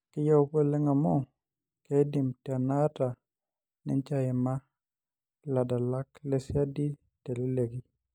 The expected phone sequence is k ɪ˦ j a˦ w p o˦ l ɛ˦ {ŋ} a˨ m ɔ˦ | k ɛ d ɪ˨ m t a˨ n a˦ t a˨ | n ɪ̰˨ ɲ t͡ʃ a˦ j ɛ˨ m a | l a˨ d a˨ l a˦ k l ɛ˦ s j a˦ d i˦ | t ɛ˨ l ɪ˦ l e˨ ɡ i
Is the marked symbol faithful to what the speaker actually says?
yes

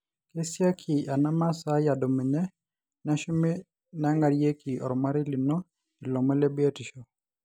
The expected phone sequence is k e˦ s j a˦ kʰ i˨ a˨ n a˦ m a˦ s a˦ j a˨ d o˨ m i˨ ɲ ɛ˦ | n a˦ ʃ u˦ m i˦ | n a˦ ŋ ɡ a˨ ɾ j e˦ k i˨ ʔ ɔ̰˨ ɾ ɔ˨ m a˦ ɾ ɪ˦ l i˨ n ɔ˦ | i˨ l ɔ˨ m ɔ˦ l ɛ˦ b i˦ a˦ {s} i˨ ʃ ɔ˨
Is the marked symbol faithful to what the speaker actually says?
no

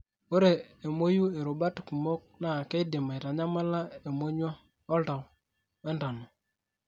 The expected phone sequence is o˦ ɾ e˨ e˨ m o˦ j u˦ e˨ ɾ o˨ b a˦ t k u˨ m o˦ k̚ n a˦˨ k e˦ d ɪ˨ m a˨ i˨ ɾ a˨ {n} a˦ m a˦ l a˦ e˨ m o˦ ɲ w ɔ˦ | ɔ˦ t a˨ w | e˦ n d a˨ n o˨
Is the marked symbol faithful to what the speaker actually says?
no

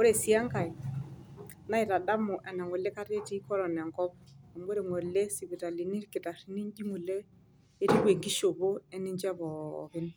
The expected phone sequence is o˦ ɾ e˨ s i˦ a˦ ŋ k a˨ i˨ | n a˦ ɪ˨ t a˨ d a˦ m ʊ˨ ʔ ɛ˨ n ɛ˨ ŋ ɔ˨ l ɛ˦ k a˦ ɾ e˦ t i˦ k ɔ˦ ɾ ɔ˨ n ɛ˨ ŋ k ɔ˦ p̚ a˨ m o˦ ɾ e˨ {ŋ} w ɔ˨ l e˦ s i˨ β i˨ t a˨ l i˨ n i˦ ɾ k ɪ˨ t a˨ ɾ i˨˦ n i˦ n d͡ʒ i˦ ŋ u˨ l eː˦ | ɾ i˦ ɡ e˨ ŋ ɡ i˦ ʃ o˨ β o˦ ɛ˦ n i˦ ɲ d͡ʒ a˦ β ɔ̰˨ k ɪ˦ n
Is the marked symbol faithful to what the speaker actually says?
yes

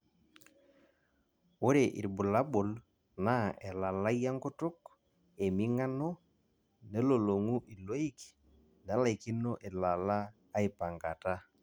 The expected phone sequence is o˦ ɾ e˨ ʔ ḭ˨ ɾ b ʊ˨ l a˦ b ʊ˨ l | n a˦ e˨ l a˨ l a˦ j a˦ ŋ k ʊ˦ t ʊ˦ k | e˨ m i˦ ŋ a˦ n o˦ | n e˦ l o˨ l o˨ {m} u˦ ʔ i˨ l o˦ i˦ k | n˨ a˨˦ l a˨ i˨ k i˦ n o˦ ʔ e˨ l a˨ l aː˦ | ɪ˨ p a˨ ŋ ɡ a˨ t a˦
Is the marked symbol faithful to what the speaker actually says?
no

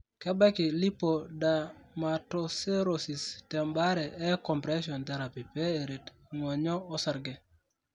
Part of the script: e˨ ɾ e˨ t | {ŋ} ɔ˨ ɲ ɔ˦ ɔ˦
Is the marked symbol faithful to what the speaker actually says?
yes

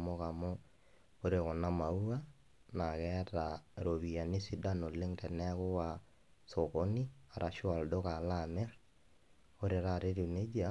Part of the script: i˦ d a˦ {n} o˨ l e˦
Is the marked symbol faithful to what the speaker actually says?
yes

